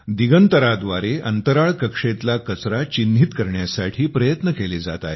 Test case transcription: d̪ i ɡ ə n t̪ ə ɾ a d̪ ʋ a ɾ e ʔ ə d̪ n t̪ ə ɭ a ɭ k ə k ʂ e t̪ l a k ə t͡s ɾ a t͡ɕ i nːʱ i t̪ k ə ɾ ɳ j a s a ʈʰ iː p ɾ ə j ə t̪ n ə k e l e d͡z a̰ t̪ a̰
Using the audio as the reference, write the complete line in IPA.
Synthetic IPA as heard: d̪ i ɡ ə n t̪ ə ɾ a d̪ ʋ a ɾ e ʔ ə n t̪ ə ɾ a ɭ k ə k ʂ e t̪ l a k ə t͡s ɾ a t͡ɕ i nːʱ i t̪ k ə ɾ ɳ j a s a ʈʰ iː p ɾ ə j ə t̪ n ə k e l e d͡z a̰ t̪ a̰

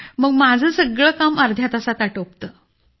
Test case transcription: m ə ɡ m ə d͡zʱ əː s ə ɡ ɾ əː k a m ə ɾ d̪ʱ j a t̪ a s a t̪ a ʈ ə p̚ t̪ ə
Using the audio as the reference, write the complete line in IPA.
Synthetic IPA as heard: m ə ɡ m a d͡zʱ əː s ə ɡ ɭ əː k a m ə ɾ d̪ʱ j a t̪ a s a t̪ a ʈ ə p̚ t̪ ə

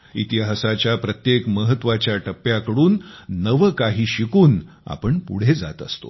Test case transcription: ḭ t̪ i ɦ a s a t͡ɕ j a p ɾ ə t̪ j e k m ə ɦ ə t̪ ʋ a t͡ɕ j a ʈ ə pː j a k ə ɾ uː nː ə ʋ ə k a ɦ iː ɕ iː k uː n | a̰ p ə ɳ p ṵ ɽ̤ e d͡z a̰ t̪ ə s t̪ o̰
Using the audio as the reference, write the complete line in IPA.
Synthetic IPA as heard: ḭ t̪ i ɦ a s a t͡ɕ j a p ɾ ə t̪ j e k m ə ɦ ə t̪ ʋ a t͡ɕ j a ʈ ə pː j a k ə ɽ uː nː ə ʋ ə k a ɦ iː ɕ i k uː n | a̰ p ə ɳ p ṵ ɽ̤ e d͡z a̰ t̪ ə s t̪ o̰

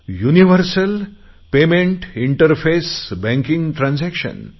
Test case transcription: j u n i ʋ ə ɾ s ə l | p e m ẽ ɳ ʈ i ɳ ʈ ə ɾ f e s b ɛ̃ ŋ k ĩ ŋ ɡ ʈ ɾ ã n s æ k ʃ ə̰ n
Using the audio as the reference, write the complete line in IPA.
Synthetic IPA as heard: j u n i ʋ ə ɾ s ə l | p e m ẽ ɳ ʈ i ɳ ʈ ə ɾ f e s b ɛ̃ ŋ k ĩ ŋ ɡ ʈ ɾ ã n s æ k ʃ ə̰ n

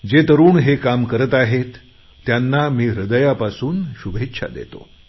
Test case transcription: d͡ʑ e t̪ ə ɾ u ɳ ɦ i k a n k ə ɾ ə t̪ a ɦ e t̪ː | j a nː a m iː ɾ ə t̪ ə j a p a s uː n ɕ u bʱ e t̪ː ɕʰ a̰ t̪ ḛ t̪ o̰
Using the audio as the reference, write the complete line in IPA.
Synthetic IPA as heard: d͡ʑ e t̪ ə ɾ uː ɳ ɦ e k a m k ə ɾ ə t̪ a ɦ e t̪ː | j a nː a m iː ɾ ə d̪ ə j a p a s uː n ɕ u bʱ e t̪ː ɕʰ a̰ d̪ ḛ t̪ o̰

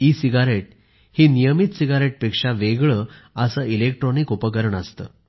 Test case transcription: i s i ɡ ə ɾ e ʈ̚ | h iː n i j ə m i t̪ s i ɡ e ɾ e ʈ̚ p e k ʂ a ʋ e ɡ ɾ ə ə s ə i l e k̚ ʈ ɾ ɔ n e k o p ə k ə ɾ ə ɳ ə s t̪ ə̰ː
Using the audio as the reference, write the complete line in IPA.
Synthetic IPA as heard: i s i ɡ a ɾ e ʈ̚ | h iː n i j ə m i t̪ s i ɡ a ɾ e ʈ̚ p e k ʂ a ʋ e ɡ ɭ ə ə s ə i l e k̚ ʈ ɾ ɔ n i k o p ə k ə ɾ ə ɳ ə s t̪ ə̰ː

